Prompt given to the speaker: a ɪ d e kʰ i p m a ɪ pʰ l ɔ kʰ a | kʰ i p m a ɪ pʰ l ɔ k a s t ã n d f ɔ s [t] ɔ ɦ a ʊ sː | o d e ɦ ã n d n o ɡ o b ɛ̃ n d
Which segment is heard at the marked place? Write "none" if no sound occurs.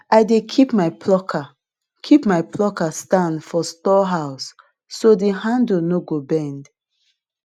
t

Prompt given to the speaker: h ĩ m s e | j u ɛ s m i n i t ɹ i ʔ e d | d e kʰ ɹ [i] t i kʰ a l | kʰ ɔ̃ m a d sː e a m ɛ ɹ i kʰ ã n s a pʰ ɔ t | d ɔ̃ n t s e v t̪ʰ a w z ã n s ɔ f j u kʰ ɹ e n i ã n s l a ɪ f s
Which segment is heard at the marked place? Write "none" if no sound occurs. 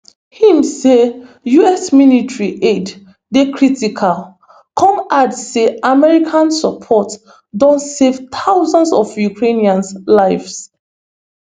i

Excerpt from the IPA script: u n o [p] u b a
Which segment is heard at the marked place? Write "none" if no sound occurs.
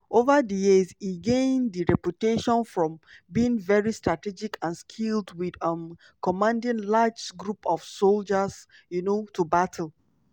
t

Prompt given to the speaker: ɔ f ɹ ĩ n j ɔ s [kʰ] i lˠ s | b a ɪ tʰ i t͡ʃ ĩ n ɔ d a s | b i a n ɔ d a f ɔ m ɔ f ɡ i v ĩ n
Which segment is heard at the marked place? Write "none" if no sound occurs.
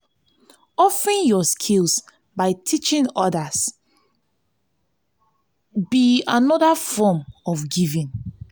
kʰ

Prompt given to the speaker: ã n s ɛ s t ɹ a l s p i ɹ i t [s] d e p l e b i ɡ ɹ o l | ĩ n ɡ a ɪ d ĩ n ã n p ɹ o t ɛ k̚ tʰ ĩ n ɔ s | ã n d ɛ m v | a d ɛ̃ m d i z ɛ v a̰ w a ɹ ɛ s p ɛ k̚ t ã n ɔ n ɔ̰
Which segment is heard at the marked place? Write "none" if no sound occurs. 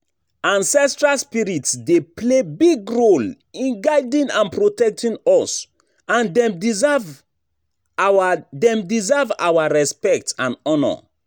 s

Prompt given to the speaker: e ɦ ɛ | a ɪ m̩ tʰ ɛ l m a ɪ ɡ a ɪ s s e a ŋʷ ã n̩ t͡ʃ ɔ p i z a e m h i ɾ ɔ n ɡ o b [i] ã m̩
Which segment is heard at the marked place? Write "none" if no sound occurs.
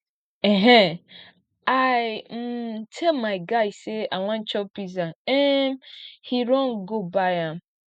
a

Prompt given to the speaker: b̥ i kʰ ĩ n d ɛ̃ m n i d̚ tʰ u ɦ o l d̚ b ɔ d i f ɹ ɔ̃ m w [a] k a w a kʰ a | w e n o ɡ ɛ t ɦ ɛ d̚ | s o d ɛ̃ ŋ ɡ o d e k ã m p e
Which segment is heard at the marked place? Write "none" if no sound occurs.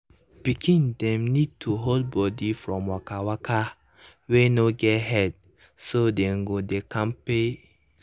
a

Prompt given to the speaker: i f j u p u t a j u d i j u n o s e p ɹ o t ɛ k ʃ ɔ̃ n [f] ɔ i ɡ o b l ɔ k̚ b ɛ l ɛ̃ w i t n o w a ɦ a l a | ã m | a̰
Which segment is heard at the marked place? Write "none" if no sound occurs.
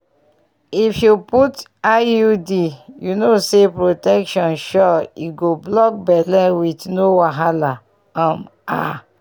ʃ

